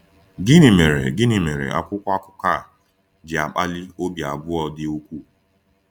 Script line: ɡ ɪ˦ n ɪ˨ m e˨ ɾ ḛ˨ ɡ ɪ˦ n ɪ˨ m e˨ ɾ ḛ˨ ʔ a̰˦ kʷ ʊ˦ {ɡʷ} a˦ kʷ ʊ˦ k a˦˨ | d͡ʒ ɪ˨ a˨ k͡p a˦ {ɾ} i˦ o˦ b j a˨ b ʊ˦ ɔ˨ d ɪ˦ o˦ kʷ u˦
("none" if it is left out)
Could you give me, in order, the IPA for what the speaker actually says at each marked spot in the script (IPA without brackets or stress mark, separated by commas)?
kʷ, l